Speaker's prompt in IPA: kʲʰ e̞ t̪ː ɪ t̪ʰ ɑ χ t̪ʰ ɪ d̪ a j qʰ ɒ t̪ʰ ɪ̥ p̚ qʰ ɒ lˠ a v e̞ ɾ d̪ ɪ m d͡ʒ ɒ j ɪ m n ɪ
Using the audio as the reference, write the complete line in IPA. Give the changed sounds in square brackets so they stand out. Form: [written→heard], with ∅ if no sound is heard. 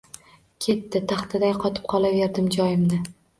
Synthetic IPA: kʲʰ e̞ t̪ː ɪ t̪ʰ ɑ χ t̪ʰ ɪ d̪ a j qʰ ɒ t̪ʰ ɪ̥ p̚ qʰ ɒ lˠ a v e̞ ɾ d̪ ɪ m d͡ʒ ɒ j ɪ m n ɪ